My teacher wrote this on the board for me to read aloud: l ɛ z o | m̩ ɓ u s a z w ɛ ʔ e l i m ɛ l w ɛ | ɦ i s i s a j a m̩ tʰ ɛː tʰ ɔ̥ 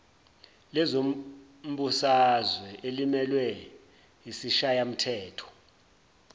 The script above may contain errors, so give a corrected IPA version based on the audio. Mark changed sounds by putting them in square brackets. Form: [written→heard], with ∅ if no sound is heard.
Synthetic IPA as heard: l ɛ z o | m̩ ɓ u s a z w ɛ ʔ e l i m ɛ l w ɛ | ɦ i s i [s→ʃ] a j a m̩ tʰ ɛː tʰ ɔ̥